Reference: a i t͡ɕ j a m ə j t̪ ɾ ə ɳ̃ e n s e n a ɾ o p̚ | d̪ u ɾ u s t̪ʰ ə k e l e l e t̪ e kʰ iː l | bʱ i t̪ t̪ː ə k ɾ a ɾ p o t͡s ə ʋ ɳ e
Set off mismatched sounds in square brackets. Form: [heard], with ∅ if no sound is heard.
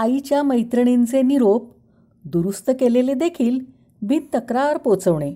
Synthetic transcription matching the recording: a i t͡ɕ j a m ə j t̪ ɾ ə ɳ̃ e n [t͡s] e n [i] ɾ o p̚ | d̪ u ɾ u s [t̪] ə k e l e l e [d̪] e kʰ iː l | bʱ i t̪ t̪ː ə k ɾ a ɾ p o t͡s ə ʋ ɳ e